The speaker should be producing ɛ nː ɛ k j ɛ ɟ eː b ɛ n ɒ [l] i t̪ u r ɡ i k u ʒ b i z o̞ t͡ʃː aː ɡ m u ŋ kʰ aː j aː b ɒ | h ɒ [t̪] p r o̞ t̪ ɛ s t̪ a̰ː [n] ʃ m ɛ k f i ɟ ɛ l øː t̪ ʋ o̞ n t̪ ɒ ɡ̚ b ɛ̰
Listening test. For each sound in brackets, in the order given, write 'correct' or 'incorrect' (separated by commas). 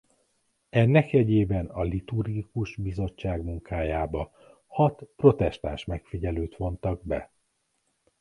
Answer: correct, correct, correct